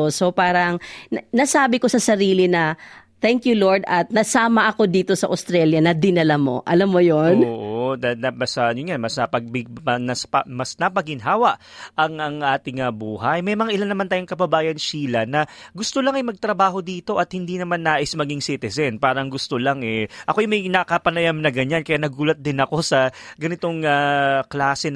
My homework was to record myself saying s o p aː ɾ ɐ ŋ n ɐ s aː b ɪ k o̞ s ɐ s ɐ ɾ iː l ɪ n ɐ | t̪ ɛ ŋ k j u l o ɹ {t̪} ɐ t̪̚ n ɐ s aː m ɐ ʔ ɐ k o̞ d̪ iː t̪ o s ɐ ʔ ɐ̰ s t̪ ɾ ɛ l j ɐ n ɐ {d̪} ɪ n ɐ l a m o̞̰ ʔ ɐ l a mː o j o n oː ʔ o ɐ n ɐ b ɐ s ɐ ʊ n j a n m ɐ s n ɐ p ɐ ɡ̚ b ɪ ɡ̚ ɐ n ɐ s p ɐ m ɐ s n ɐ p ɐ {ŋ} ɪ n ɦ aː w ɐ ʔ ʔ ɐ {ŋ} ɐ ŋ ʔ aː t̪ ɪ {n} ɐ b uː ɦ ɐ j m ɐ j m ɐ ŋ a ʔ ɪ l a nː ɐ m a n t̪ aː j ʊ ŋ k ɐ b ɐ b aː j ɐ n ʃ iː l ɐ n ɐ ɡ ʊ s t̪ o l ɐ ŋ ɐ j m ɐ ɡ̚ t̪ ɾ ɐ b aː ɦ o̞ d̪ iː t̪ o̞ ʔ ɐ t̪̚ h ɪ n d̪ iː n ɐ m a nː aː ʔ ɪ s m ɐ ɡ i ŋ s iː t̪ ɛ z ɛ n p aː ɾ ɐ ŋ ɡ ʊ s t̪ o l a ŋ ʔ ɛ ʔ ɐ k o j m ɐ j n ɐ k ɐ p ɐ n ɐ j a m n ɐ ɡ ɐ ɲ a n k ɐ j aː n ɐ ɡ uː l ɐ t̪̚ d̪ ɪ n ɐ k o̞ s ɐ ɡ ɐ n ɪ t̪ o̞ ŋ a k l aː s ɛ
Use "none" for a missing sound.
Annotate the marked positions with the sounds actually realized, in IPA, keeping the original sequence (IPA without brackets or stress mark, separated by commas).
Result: d̪, d̪, ɡ, ŋ, ŋ